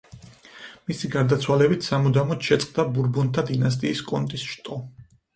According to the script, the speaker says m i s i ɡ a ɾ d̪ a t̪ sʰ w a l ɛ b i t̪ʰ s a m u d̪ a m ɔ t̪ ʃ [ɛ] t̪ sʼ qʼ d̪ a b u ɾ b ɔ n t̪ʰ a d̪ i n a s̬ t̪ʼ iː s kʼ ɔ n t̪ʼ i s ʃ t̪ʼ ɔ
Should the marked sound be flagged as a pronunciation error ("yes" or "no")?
no